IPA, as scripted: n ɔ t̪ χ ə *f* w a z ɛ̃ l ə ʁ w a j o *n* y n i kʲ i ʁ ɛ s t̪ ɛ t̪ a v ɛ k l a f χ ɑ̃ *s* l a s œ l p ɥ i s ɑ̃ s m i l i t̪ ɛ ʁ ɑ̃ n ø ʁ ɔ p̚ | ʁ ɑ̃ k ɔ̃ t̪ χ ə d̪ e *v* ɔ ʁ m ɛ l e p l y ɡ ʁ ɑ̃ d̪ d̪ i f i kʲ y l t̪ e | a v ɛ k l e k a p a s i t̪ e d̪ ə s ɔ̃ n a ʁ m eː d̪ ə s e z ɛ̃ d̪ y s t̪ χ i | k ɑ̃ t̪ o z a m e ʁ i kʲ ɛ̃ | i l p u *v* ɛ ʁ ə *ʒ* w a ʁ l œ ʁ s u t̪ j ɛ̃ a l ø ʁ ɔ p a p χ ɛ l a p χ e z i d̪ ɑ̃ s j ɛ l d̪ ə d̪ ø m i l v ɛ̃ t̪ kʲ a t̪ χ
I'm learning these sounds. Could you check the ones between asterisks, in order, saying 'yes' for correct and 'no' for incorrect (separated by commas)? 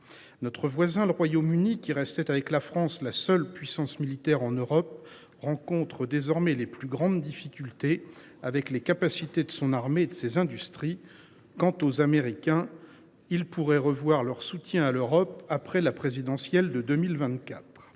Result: no, no, yes, no, no, no